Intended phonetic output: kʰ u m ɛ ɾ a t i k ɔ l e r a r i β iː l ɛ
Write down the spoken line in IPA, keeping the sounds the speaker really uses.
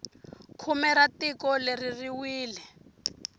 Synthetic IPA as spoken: kʰ u m ɛ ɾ a t i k ɔ l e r i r i w iː l ɛ

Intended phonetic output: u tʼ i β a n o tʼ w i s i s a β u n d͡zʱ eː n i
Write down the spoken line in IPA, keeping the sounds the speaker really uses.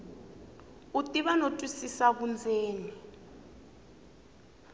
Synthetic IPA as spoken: u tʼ i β a n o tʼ w i s i s a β u n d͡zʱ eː n i

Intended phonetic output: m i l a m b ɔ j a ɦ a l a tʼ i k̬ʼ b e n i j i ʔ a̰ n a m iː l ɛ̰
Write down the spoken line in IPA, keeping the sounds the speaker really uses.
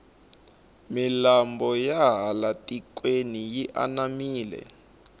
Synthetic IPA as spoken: m i l a m b ɔ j a ɦ a l a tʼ i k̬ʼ w e n i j i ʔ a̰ n a m iː l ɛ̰

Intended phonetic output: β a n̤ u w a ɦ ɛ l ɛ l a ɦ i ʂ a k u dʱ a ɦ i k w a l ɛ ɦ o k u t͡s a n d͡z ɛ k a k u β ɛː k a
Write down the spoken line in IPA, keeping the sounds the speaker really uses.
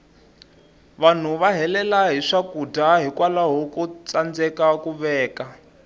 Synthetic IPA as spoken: β a n̤ u β a ɦ ɛ l ɛ l a ɦ i ʂ a k u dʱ a ɦ i k w a l a ɦ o k u t͡s a n d͡z ɛ k a k u β ɛː k a

